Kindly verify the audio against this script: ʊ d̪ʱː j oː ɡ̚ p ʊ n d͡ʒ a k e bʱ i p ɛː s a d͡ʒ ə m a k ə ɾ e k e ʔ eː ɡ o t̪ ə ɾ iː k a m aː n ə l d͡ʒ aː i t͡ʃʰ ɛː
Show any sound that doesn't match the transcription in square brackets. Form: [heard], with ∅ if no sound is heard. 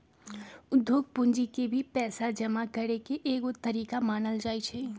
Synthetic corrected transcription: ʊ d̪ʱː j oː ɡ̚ p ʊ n d͡ʒ [i] k e bʱ i p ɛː s a d͡ʒ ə m a k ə ɾ e k e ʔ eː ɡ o t̪ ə ɾ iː k a m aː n ə l d͡ʒ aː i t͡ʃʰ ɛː